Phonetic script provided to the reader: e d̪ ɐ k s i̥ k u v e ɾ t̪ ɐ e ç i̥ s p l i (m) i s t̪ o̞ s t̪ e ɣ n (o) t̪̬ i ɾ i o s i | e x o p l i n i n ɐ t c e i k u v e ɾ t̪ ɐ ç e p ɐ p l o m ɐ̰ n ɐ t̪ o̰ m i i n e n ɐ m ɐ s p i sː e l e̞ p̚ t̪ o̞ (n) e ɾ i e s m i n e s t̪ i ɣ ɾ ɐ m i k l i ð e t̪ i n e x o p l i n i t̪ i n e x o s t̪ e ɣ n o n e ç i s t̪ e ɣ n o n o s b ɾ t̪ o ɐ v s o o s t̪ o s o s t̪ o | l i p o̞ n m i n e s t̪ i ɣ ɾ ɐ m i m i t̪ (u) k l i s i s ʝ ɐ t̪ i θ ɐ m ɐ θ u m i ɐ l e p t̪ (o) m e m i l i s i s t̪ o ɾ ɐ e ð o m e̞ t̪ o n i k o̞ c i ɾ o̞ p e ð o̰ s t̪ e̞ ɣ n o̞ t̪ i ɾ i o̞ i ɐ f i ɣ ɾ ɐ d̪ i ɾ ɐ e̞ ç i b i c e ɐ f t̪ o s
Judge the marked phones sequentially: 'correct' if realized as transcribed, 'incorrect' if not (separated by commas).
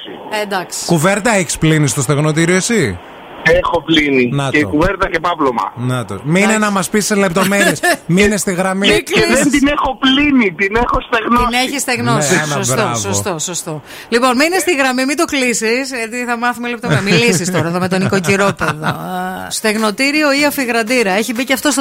incorrect, correct, incorrect, incorrect, correct